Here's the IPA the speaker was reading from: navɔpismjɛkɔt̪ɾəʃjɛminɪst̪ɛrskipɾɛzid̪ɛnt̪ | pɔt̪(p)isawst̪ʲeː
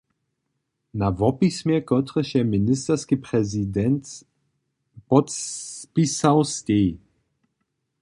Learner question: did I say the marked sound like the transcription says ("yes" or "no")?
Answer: yes